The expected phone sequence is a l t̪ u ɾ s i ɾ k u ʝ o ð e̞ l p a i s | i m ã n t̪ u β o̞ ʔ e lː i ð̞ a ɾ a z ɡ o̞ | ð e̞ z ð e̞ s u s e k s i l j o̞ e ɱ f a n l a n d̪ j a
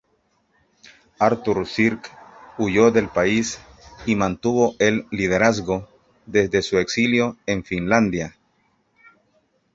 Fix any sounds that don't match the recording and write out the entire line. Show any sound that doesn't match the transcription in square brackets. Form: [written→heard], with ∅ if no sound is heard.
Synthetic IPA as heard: a [l→ɾ] t̪ u ɾ s i ɾ k u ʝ o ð e̞ l p a i s | i m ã n t̪ u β o̞ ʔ e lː i ð̞ [a→e] ɾ a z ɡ o̞ | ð e̞ z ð e̞ s u [s→∅] e k s i l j o̞ e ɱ f [a→i] n l a n d̪ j a